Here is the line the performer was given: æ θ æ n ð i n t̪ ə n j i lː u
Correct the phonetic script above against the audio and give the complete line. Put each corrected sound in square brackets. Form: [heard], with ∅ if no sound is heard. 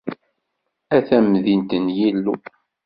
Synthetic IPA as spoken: æ θ æ [m] ð i n t̪ ə n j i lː u